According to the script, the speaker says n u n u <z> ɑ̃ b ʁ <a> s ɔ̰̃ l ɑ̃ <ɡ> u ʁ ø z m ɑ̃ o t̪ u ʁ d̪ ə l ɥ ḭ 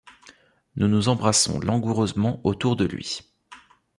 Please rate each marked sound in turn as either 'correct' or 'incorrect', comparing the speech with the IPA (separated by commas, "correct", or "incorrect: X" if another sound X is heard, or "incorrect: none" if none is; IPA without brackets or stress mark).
correct, correct, correct